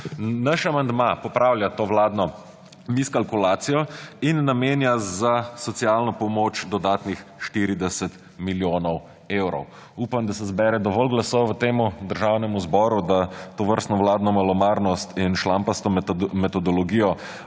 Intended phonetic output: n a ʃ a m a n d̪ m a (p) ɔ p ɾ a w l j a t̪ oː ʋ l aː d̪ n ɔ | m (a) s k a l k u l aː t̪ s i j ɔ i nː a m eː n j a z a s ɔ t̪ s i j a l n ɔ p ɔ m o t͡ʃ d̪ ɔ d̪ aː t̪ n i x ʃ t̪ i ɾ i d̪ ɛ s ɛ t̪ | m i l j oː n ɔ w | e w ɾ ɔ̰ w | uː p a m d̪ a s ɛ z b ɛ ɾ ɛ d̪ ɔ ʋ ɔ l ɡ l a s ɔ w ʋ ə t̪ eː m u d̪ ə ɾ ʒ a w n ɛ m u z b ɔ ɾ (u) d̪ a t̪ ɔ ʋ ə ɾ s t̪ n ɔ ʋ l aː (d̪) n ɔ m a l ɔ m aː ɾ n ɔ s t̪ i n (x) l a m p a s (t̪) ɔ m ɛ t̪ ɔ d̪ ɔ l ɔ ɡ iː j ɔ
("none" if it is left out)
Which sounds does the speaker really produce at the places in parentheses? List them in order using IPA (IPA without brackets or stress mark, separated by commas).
p, i, u, d̪, ʃ, t̪